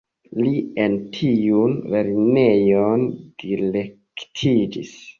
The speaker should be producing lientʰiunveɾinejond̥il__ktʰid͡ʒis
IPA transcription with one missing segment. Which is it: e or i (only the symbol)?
e